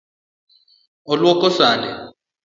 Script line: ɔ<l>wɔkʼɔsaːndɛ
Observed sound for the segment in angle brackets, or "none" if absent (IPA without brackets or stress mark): l